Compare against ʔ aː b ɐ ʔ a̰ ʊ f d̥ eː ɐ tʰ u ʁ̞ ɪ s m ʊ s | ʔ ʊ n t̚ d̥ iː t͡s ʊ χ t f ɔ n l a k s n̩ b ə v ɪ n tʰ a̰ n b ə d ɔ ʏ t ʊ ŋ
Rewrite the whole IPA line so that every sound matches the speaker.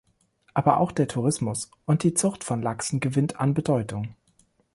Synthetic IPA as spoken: ʔ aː b ɐ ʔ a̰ ʊ x d̥ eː ɐ tʰ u ʁ̞ ɪ s m ʊ s | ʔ ʊ n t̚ d̥ iː t͡s ʊ χ t f ɔ n l a k s n̩ ɡ ə v ɪ n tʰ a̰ n b ə d ɔ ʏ t ʊ ŋ